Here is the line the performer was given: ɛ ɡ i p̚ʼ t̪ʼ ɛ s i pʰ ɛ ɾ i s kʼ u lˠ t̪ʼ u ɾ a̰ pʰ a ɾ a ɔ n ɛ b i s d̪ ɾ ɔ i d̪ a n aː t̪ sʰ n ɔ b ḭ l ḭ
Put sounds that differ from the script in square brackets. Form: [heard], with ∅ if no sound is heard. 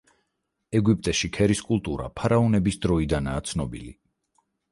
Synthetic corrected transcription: ɛ ɡ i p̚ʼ t̪ʼ ɛ [ʃ] i [kʰ] ɛ ɾ i s kʼ u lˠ t̪ʼ u ɾ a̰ pʰ a ɾ a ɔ n ɛ b i s d̪ ɾ ɔ i d̪ a n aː t̪ sʰ n ɔ b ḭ l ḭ